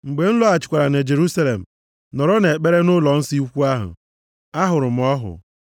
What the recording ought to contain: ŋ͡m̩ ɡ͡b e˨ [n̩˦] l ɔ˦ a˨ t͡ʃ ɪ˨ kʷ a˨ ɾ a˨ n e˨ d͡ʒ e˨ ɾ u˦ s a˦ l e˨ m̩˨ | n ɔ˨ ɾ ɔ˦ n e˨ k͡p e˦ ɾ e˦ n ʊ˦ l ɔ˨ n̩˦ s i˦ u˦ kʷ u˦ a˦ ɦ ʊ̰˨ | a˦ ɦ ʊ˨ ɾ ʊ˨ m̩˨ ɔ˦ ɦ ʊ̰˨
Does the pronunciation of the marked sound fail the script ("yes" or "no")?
no